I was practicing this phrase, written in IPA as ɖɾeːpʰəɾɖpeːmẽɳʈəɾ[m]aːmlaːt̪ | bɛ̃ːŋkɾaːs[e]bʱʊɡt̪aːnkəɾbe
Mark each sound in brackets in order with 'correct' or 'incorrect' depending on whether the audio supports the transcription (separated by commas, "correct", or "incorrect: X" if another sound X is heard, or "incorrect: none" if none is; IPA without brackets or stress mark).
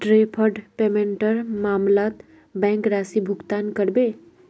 correct, incorrect: i